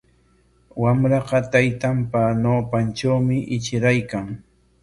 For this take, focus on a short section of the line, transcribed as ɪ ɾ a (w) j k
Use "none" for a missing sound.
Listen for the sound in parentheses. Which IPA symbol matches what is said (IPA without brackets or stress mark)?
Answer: none